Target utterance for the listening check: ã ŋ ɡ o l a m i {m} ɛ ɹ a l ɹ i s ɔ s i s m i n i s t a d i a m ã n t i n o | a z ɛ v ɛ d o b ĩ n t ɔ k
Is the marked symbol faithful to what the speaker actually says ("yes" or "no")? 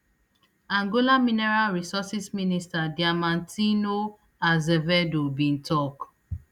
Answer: no